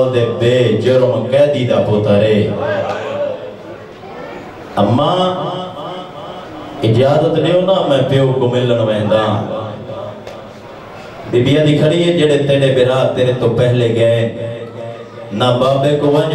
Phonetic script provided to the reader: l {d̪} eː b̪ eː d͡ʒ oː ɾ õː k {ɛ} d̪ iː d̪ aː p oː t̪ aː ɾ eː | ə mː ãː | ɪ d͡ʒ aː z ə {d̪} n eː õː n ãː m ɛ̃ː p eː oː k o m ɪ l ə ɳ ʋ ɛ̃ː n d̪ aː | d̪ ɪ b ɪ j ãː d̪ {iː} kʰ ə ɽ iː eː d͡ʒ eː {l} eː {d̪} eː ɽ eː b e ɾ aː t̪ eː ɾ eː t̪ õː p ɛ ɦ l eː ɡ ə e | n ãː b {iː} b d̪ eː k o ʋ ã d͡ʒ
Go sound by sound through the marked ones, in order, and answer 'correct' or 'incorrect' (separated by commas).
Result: correct, incorrect, incorrect, correct, incorrect, incorrect, incorrect